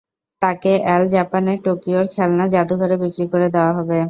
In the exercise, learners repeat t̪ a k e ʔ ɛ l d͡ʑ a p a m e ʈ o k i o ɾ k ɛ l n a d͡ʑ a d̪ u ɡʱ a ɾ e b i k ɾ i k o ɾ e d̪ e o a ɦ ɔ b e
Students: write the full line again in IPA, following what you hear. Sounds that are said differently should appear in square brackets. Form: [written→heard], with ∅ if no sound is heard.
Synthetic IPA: t̪ a k e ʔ ɛ l d͡ʑ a p a [m→n] e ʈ o k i o ɾ [k→kʰ] ɛ l n a d͡ʑ a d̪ u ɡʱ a ɾ e b i k ɾ i k o ɾ e d̪ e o a ɦ ɔ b e